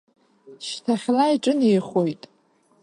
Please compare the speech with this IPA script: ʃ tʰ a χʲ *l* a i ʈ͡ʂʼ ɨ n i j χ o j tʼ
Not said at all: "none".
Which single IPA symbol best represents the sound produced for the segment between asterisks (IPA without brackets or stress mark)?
l